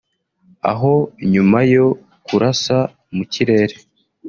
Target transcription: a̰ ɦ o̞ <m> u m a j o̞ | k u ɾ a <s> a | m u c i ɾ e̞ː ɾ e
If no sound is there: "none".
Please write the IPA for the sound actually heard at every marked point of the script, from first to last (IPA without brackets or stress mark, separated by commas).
ɲ, s